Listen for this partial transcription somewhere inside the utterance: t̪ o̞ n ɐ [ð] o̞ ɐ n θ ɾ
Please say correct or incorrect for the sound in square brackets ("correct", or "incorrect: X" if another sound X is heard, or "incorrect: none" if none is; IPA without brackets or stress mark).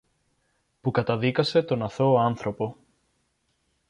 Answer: incorrect: θ